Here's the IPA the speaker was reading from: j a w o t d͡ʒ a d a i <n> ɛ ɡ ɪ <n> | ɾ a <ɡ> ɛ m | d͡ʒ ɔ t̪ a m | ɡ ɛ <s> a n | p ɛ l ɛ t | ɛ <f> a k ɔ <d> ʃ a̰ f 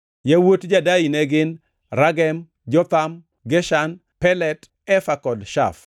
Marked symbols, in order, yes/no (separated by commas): yes, yes, yes, no, yes, yes